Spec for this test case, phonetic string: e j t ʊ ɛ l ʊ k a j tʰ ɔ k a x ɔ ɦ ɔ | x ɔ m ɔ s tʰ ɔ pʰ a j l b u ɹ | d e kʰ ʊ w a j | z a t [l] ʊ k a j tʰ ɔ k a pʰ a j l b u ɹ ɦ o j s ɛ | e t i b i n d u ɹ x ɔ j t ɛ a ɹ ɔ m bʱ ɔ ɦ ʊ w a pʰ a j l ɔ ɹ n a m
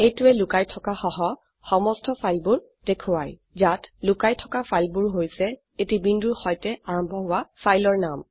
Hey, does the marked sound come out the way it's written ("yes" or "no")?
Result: yes